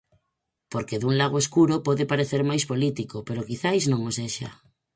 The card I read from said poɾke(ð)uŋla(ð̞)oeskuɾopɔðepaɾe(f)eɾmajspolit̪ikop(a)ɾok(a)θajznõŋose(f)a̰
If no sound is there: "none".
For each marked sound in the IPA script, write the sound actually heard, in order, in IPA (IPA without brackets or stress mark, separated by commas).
ð, ɣ̞, θ, e, i, ʃ